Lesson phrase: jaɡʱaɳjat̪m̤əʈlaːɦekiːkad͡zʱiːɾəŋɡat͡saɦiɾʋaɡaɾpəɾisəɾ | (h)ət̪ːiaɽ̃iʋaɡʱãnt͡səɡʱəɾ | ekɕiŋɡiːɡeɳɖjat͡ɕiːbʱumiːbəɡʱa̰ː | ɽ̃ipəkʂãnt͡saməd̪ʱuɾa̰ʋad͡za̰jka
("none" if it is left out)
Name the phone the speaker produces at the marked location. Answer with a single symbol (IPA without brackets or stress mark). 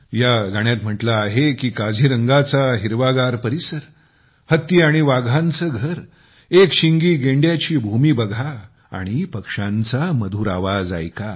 h